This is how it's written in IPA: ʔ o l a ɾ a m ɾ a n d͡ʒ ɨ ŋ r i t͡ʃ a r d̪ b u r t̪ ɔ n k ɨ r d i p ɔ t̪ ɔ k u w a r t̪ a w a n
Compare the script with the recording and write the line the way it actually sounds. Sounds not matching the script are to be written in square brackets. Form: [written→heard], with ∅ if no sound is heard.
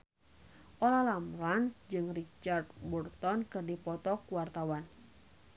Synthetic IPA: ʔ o l a [ɾ→l] a m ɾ a n d͡ʒ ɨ ŋ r i t͡ʃ a r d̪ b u r t̪ ɔ n k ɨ r d i p ɔ t̪ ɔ k u w a r t̪ a w a n